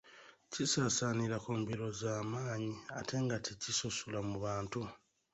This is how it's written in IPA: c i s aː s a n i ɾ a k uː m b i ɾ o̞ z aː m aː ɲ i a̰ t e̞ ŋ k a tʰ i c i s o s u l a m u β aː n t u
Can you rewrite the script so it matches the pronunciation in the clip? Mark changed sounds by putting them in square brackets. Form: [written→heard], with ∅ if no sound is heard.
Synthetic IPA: c i s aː s a n i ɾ a k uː m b i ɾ o̞ z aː m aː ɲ i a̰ t e̞ ŋ [k→ɡ] a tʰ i c i s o s u l a m u β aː n t u

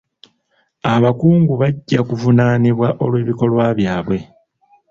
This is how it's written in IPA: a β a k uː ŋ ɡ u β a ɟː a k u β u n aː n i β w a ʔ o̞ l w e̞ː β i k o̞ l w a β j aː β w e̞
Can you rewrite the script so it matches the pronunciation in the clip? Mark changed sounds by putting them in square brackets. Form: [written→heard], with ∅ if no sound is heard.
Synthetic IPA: a β a k uː ŋ ɡ u β a ɟː a k u [β→v] u n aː n i β w a ʔ o̞ l w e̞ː β i k o̞ l w a β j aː β w e̞

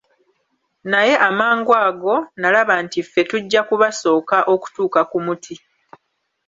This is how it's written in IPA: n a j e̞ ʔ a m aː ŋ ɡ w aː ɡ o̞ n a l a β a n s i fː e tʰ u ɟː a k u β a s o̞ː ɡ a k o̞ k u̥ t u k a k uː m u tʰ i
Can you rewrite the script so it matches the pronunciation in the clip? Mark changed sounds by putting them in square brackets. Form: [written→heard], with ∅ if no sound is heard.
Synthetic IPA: n a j e̞ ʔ a m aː ŋ ɡ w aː ɡ o̞ n a l a β a n [s→t] i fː e [tʰ→t] u ɟː a k u β a s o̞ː [ɡ→k] a [k→ʔ] o̞ k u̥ t [u→uː] k a k [uː→u] m u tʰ i

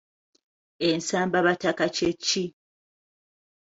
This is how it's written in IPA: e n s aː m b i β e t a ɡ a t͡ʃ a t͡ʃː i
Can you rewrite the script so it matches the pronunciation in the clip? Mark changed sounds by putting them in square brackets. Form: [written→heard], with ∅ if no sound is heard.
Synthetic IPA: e n s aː m b [i→a] β [e→a] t a [ɡ→k] a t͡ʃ [a→e] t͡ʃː i

